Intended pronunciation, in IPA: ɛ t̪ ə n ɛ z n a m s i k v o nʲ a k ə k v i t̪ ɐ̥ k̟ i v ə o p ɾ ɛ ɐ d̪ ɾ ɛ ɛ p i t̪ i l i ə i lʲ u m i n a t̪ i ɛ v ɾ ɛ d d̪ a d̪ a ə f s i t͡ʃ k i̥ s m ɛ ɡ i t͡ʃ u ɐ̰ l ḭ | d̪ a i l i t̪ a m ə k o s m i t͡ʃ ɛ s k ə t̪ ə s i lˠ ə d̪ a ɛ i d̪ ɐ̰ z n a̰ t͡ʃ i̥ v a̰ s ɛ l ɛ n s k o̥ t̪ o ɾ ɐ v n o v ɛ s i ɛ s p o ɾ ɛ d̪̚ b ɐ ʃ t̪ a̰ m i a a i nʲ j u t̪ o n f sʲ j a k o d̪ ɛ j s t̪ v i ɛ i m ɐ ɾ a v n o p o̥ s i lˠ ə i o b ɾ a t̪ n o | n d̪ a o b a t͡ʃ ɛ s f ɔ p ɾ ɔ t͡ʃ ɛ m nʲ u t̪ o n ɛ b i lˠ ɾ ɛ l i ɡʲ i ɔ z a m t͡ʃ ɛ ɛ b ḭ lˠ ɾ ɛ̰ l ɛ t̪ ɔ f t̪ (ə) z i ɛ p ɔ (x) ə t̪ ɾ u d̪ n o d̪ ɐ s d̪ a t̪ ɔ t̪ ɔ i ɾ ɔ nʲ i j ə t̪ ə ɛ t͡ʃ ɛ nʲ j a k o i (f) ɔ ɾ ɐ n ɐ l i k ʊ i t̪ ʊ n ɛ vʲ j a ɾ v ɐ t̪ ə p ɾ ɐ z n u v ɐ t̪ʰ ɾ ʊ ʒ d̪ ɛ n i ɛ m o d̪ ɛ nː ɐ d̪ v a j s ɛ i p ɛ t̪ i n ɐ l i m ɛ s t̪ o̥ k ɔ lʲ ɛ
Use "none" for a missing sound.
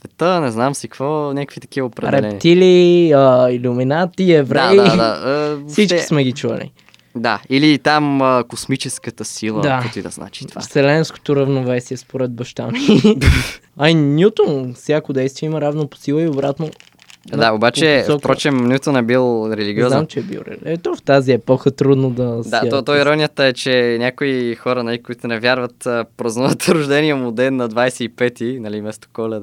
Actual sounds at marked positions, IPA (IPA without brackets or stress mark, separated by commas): a, x, x